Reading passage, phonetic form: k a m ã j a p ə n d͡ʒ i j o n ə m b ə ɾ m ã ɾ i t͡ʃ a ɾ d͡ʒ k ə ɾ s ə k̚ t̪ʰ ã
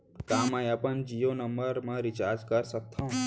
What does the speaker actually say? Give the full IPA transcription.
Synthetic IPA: k a m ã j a p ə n d͡ʒ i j o n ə m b ə ɾ m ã ɾ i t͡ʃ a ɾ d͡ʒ k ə ɾ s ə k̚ t̪ʰ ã